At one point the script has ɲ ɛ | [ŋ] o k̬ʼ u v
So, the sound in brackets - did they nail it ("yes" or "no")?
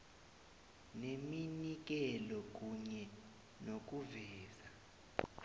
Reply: no